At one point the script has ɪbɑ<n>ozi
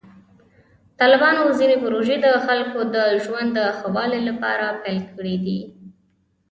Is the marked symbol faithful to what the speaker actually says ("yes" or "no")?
yes